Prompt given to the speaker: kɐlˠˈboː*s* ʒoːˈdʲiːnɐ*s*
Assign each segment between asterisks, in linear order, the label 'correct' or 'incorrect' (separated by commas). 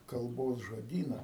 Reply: correct, incorrect